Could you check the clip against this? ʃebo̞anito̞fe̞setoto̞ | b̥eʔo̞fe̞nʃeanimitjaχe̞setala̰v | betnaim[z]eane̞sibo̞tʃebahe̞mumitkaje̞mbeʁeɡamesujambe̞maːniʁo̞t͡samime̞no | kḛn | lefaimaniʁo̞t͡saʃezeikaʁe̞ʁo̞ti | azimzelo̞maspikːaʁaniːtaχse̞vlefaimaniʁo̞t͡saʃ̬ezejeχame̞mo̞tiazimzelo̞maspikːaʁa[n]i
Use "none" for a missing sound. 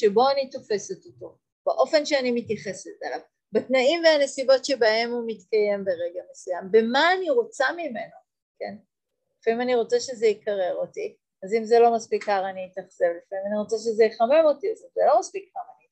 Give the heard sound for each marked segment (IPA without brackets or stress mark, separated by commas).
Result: v, n